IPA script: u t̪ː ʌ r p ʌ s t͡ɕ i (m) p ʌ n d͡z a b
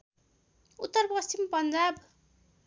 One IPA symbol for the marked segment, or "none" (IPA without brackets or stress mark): m